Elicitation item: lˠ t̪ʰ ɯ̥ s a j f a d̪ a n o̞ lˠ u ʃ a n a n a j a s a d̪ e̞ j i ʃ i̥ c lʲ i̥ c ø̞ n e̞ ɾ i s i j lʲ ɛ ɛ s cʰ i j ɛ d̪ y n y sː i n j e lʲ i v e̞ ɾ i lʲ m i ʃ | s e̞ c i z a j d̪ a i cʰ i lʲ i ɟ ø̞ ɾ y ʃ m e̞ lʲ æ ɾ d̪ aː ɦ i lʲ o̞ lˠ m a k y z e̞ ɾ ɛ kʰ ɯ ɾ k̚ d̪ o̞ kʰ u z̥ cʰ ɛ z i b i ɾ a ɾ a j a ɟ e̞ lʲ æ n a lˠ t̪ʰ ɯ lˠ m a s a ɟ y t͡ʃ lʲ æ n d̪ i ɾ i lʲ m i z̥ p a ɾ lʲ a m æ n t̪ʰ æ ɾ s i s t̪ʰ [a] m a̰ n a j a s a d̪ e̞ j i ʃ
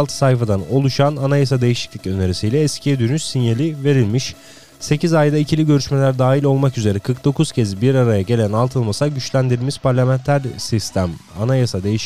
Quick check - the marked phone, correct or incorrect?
incorrect